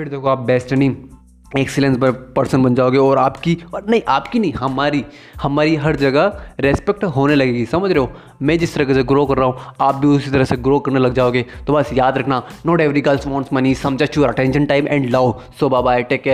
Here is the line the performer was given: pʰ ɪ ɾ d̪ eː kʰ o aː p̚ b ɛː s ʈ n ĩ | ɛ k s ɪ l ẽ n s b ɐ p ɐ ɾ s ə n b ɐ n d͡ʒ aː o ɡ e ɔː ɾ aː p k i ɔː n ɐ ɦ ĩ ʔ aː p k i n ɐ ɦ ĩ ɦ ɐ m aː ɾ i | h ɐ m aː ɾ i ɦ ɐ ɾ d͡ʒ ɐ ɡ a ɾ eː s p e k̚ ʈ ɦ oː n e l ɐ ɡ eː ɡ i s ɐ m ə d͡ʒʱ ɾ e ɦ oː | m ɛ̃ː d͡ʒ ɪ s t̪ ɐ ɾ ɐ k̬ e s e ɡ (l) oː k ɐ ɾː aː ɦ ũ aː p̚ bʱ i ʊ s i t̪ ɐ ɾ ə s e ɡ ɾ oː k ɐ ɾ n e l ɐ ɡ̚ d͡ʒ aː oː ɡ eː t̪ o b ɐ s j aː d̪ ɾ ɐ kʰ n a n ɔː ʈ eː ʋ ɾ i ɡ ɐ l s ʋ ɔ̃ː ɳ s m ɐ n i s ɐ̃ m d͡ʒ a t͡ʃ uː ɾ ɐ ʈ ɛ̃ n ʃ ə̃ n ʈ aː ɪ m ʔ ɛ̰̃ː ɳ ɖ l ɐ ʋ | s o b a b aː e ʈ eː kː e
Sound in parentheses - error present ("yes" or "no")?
yes